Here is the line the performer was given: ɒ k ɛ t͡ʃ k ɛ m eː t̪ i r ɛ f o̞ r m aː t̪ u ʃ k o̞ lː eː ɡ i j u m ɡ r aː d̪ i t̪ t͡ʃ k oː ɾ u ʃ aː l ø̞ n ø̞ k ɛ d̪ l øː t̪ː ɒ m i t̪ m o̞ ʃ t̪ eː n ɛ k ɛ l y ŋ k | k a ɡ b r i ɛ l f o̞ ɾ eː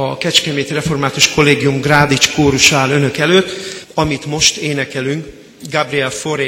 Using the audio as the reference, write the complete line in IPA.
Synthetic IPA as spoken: ɒ k ɛ t͡ʃ k ɛ m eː t̪ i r ɛ f o̞ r m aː t̪ u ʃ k o̞ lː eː ɡ i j u m ɡ r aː d̪ i t͡ʃ k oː ɾ u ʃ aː l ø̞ n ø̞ k ɛ l øː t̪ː ɒ m i t̪ m o̞ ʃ t̪ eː n ɛ k ɛ l y ŋ k | ɡ a b r i ɛ l f o̞ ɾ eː